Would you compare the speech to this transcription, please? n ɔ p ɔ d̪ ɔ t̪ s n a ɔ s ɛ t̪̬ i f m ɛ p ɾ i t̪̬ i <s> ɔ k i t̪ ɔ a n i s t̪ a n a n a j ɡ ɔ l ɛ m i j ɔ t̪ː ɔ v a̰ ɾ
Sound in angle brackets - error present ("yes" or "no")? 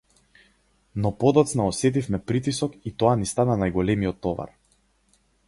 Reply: no